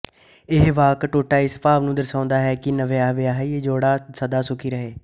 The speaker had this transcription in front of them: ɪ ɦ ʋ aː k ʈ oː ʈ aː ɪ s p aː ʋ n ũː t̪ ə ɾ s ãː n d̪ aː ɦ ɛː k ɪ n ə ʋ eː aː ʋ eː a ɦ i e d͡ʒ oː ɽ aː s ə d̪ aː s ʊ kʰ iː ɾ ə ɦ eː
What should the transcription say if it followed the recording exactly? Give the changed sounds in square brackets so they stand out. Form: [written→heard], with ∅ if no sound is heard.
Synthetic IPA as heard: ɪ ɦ ʋ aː k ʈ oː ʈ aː ɪ s p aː ʋ n ũː [t̪→d̪] ə ɾ s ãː n d̪ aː ɦ ɛː k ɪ n ə ʋ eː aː ʋ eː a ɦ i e d͡ʒ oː ɽ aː s ə d̪ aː s ʊ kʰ iː ɾ ə ɦ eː